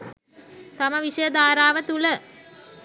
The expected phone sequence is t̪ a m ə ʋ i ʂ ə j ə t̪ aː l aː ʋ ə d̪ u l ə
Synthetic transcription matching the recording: t̪ a m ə ʋ i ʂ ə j ə d̪ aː ɾ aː ʋ ə t̪ u l ə